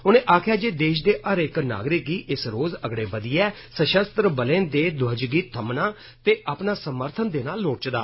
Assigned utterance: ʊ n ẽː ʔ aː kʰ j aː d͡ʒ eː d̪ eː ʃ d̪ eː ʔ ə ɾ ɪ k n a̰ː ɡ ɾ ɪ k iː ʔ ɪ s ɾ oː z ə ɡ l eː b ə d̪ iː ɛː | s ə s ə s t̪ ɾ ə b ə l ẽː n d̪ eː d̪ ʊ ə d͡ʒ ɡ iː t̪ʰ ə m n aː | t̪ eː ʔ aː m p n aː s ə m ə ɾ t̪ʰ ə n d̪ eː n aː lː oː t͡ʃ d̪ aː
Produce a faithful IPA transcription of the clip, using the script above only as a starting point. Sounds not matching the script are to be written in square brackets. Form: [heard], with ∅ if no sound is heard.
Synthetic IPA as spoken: ʊ n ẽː ʔ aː kʰ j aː d͡ʒ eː d̪ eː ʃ d̪ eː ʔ ə ɾ ɪ k n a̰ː ɡ ɾ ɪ k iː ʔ ɪ s ɾ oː z ə ɡ [ɽ] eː b ə d̪ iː ɛː | s ə [ʃ] ə s t̪ ɾ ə b ə l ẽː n d̪ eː d̪ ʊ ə d͡ʒ ɡ iː t̪ʰ ə m n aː | t̪ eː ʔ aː [∅] p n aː s ə m ə ɾ t̪ʰ ə n d̪ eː n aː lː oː t͡ʃ d̪ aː